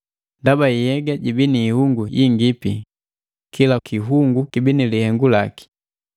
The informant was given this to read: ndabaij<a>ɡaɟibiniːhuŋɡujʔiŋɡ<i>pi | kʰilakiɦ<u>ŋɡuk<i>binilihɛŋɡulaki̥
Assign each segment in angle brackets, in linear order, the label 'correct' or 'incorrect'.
incorrect, correct, correct, correct

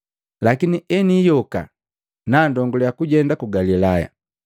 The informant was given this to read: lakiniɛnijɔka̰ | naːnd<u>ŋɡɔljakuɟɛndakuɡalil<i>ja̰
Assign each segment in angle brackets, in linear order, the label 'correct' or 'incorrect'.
incorrect, incorrect

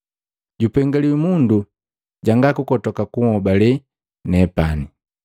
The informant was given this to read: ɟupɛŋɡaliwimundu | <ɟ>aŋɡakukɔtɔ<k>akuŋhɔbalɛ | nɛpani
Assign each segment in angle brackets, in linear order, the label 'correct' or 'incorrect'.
correct, correct

